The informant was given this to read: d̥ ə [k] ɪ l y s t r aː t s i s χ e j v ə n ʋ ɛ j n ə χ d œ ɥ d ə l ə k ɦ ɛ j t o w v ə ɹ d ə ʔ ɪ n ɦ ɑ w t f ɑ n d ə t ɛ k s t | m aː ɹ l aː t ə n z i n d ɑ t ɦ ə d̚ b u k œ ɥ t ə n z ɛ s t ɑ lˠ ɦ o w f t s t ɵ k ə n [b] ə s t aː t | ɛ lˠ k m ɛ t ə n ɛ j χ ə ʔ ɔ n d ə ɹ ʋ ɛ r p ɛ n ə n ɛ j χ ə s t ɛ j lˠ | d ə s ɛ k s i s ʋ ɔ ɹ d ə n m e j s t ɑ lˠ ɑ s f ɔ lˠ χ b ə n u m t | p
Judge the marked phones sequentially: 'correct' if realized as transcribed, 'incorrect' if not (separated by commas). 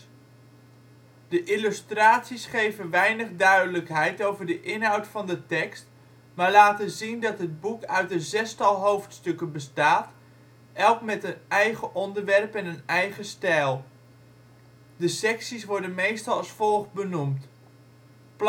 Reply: incorrect, correct